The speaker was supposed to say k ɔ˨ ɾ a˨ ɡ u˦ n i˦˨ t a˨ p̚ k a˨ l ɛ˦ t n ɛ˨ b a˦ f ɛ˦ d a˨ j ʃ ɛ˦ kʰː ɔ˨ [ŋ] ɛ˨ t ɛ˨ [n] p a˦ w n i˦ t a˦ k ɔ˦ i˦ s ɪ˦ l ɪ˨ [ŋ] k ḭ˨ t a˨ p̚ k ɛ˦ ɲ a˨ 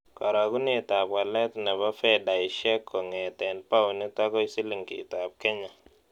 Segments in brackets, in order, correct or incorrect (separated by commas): correct, correct, correct